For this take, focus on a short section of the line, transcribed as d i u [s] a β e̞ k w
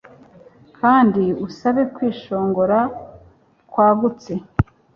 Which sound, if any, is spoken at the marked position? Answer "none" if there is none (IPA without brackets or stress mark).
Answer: s